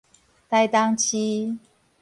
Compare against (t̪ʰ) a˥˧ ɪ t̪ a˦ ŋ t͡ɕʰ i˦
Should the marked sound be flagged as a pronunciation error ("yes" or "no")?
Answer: yes